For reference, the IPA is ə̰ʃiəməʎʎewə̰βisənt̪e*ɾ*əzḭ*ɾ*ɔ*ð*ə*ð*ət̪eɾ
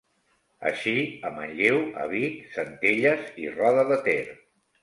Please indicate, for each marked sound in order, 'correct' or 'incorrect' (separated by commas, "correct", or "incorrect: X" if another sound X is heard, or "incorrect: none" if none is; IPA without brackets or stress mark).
incorrect: ʎ, incorrect: r, correct, correct